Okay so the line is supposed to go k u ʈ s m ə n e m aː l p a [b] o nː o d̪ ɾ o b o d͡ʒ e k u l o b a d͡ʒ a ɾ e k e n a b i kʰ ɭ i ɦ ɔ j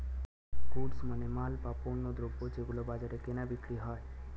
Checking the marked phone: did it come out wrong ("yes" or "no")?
yes